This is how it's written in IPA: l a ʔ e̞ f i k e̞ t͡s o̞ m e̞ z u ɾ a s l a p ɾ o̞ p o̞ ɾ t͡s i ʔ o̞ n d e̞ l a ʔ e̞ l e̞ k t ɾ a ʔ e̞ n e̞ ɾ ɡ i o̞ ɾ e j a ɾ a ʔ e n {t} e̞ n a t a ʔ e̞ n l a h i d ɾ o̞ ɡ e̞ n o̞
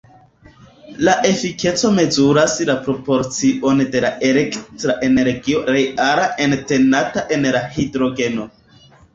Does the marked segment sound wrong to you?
no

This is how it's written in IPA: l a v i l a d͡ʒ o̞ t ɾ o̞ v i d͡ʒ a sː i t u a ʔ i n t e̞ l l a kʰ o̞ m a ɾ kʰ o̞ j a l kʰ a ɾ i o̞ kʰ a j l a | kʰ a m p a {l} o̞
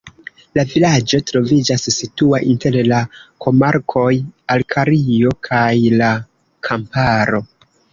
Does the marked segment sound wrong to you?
yes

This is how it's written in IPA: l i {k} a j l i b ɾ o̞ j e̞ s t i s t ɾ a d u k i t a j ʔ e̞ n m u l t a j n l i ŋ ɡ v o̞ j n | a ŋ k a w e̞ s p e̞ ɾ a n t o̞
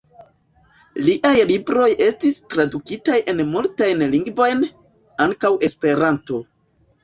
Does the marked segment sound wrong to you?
yes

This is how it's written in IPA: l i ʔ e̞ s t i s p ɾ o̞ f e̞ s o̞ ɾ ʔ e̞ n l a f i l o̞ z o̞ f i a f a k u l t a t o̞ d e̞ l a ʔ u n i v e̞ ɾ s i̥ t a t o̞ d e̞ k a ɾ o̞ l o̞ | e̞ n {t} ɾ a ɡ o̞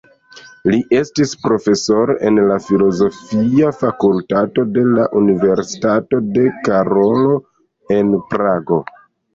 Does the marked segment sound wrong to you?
yes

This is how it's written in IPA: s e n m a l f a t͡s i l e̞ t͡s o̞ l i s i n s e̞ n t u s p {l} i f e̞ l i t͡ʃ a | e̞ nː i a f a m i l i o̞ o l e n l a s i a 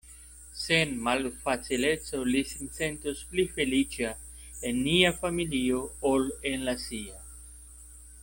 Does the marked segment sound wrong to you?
no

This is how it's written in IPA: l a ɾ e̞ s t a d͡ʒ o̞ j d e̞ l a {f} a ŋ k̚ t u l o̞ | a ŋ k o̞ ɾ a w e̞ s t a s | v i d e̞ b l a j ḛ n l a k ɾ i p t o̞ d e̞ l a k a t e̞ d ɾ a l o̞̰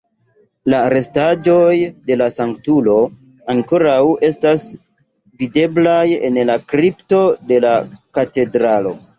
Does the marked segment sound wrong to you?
yes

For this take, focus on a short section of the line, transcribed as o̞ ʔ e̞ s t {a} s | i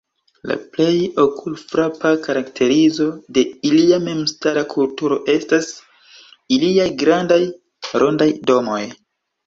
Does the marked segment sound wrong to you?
no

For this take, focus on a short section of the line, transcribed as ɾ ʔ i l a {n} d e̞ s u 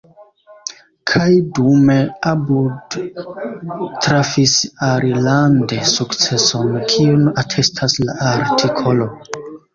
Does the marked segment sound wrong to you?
no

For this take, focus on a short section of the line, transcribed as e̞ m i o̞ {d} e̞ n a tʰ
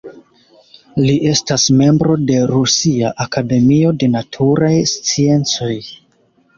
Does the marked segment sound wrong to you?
no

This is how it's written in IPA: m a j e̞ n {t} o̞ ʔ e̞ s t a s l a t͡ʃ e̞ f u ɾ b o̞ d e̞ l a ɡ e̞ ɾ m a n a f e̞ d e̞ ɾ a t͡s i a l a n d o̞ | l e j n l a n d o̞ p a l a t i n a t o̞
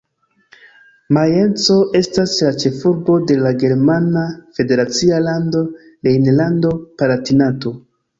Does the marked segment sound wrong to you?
yes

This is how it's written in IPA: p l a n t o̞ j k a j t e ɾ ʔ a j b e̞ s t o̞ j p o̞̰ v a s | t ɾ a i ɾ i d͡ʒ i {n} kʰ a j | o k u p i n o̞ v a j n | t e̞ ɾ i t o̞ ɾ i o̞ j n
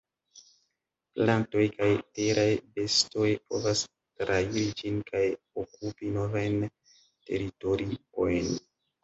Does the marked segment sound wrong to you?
no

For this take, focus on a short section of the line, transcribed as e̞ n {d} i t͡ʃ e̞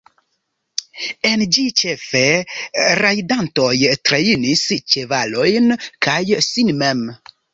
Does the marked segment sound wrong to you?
yes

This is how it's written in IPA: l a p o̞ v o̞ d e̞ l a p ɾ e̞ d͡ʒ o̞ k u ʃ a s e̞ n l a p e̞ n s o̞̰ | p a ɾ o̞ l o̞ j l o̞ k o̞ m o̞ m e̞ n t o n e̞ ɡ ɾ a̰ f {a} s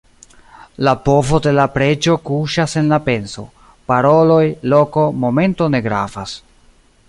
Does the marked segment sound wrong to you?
no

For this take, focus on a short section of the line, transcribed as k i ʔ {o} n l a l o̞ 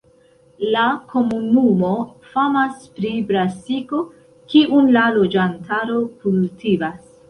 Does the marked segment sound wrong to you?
yes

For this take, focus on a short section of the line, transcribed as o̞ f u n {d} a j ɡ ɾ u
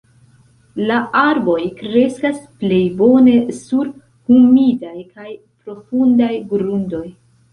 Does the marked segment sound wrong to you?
no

